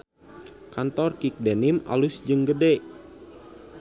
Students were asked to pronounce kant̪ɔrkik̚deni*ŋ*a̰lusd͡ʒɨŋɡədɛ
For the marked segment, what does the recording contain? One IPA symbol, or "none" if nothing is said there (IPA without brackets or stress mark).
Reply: m